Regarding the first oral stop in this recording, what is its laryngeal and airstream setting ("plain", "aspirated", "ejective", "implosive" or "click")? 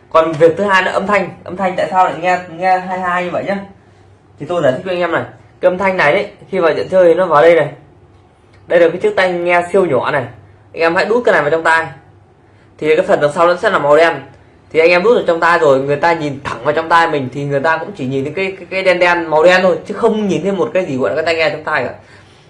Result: plain